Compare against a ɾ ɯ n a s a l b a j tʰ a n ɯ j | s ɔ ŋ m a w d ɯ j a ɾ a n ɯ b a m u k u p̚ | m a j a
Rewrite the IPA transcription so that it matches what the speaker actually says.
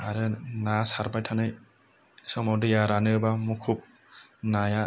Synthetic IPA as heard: a ɾ ɯ n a s a ɾ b a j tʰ a n ɯ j | s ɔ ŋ m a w d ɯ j a ɾ a n ɯ b a m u kʰ u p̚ | n a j a